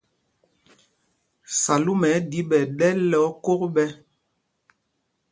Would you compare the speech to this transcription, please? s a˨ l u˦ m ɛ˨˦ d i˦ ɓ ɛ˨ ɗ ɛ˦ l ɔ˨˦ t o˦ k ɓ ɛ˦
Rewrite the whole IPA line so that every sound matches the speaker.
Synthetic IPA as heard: s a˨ l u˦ m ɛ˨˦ d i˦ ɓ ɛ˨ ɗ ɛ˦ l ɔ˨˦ k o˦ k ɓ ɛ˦